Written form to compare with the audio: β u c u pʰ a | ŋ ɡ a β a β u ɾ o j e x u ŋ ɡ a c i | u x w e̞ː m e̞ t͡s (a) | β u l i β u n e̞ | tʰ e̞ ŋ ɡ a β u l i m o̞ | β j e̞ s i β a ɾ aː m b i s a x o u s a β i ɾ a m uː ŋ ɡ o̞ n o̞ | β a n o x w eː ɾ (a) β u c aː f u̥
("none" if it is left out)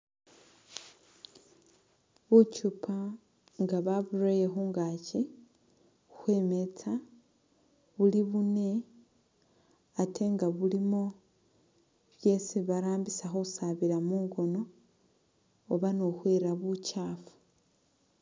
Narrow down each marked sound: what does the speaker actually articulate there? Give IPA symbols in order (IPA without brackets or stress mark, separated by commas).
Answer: a, a